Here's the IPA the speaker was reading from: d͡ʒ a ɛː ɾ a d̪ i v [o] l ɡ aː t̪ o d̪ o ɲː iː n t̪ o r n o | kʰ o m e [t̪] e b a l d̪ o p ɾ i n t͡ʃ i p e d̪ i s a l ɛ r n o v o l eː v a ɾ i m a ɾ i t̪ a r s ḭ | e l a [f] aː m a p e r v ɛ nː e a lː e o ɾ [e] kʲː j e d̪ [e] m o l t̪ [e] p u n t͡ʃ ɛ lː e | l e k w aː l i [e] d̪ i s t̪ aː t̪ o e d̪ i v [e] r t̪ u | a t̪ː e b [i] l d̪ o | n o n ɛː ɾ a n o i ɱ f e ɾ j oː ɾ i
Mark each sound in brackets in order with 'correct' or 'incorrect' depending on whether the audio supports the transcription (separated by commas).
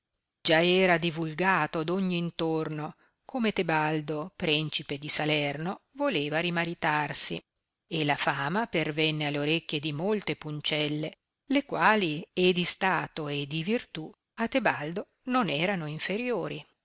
incorrect, correct, correct, correct, incorrect, correct, correct, incorrect, incorrect